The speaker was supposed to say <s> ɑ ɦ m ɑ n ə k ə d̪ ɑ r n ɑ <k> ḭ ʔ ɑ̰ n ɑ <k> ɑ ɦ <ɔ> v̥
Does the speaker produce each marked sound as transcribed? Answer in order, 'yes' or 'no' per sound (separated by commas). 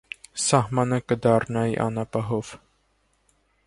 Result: yes, no, no, yes